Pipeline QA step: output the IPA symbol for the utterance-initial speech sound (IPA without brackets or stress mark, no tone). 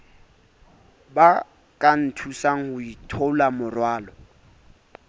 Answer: b